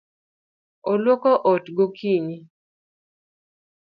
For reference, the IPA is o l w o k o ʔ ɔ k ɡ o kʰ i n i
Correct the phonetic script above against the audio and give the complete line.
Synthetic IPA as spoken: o l w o k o ʔ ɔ t ɡ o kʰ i ɲ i